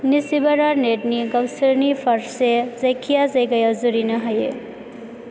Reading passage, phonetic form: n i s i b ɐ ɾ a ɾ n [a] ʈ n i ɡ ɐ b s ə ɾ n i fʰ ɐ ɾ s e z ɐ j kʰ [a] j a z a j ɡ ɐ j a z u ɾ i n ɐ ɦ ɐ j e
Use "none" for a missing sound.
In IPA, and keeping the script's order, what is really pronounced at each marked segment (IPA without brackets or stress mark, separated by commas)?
e, i